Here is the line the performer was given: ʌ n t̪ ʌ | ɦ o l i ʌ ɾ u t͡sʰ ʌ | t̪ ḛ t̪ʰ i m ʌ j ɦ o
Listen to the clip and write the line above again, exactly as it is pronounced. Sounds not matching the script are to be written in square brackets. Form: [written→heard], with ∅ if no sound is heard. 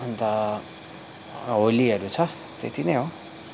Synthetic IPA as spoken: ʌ n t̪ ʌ | ɦ o l i ʌ ɾ u t͡sʰ ʌ | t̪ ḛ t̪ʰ i [m→n] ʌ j ɦ o